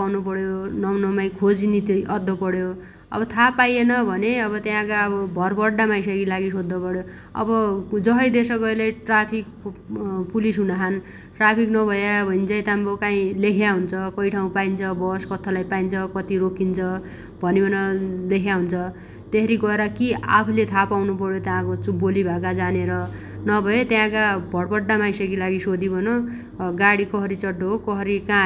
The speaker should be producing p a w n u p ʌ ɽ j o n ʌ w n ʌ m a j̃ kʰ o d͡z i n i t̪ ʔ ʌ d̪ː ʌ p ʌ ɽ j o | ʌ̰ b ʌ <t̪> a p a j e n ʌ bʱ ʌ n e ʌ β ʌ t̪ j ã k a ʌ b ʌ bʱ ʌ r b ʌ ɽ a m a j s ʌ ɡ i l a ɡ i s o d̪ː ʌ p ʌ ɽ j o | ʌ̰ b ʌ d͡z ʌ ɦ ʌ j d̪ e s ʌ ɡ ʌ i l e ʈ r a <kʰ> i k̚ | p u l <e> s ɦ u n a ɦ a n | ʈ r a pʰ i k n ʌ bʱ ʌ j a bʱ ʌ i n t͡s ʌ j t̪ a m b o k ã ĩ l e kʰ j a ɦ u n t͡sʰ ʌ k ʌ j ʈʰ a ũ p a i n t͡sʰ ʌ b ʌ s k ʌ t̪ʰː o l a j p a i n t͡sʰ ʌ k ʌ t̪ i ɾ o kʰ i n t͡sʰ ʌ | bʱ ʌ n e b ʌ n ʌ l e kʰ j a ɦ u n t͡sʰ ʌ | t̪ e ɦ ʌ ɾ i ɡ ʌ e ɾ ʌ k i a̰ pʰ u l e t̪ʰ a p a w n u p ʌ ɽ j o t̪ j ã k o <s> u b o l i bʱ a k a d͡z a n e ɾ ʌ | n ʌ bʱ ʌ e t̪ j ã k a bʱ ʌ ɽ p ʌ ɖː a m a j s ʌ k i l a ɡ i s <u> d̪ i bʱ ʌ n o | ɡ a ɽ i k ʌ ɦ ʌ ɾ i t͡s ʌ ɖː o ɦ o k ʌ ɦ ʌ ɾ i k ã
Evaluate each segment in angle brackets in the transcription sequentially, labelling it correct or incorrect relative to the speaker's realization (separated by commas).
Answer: incorrect, incorrect, incorrect, incorrect, incorrect